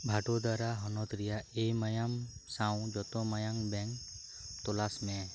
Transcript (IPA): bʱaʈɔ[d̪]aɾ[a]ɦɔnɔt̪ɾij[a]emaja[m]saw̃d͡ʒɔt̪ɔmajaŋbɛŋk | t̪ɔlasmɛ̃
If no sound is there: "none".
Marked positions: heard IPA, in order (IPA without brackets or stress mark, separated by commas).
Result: d̪, a, a, m